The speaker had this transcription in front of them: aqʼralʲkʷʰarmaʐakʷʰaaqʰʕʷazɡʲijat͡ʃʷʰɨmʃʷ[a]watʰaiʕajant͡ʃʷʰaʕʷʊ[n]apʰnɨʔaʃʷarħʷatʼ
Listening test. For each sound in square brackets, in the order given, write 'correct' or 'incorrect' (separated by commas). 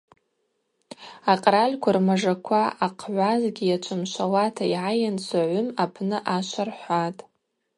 correct, incorrect